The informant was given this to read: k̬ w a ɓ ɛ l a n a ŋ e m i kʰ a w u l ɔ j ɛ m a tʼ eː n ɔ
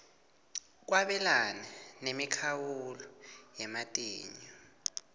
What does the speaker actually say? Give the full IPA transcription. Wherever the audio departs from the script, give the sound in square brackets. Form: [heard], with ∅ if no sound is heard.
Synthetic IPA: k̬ w a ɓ ɛ l a n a [n] e m i kʰ a w u l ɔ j ɛ m a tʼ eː [ɲ] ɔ